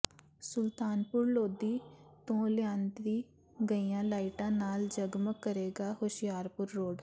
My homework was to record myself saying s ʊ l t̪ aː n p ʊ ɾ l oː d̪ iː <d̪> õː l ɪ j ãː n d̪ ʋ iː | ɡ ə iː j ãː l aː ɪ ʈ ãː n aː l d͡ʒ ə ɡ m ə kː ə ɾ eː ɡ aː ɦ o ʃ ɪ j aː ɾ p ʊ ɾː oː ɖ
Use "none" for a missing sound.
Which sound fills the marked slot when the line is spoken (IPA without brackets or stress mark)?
t̪